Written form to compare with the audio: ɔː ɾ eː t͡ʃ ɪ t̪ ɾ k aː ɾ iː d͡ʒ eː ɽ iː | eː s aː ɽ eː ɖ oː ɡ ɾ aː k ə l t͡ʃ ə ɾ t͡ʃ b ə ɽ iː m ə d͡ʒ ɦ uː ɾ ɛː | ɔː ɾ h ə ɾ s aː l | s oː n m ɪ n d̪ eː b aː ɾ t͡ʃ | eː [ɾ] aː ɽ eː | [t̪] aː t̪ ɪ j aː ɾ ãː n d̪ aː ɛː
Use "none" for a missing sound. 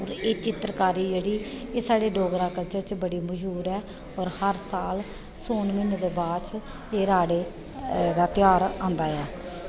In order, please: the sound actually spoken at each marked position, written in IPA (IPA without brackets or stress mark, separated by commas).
ɾ, d̪